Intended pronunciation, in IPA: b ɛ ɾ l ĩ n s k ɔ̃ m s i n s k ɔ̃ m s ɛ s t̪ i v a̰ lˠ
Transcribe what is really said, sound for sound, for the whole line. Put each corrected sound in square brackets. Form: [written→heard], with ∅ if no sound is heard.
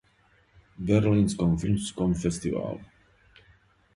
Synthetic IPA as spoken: b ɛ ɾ l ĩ n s k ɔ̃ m [s→f] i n s k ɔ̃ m [s→f] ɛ s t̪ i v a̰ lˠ